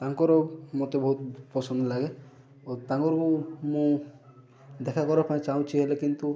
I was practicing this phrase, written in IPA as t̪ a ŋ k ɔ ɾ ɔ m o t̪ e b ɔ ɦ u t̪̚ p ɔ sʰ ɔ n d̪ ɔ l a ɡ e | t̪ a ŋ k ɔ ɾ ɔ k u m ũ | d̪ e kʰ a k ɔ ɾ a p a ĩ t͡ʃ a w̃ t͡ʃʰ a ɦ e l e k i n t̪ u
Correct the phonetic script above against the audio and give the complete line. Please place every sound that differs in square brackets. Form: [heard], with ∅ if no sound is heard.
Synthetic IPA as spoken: t̪ a ŋ k ɔ ɾ ɔ m o t̪ e b ɔ ɦ u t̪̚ p ɔ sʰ ɔ n d̪ ɔ l a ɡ e | t̪ a ŋ k ɔ ɾ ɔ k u m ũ | d̪ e kʰ a k ɔ ɾ a p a ĩ t͡ʃ a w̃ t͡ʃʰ [i] ɦ e l e k i n t̪ u